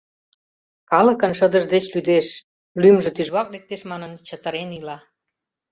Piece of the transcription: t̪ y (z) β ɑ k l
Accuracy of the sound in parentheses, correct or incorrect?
incorrect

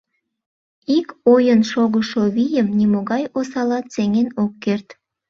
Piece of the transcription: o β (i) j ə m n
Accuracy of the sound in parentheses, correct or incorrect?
correct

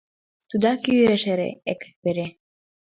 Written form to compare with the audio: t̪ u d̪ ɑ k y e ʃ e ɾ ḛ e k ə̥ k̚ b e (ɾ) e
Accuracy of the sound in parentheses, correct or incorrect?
correct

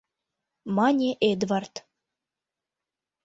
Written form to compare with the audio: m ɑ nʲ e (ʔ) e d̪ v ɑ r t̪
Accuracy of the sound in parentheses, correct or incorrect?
correct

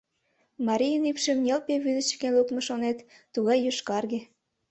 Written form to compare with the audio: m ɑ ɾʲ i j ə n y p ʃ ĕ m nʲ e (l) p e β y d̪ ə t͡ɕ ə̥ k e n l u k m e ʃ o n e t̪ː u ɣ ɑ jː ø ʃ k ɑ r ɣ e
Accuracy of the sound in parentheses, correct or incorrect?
correct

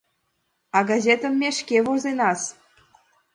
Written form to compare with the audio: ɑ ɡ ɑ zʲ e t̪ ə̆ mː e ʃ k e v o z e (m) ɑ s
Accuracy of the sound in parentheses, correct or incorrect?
incorrect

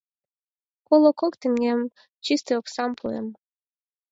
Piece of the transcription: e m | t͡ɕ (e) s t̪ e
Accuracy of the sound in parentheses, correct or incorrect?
incorrect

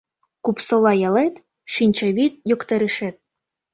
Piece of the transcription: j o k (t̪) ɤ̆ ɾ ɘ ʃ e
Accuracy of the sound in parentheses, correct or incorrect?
correct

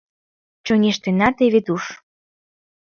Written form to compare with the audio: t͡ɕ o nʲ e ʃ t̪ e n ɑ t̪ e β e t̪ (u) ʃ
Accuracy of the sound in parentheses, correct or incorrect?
correct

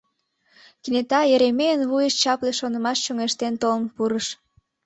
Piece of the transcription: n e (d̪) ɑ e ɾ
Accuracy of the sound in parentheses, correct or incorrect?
incorrect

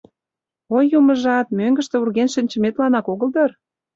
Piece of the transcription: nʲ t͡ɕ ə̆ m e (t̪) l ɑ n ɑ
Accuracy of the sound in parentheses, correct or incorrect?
correct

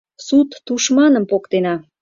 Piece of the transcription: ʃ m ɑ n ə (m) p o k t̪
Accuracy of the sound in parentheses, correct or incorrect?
correct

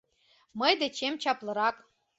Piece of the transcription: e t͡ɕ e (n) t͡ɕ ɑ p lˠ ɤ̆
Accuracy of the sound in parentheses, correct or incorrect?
incorrect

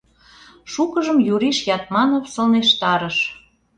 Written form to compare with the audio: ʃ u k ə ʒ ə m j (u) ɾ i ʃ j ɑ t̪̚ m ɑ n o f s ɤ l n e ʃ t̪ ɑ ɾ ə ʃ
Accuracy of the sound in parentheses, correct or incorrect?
correct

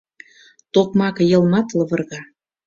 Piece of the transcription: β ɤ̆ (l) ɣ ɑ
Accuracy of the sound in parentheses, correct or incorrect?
incorrect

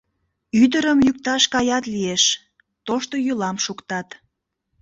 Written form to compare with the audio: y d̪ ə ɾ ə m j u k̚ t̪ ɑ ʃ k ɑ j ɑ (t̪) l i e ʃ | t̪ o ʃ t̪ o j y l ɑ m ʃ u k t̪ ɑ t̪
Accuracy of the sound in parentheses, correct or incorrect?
correct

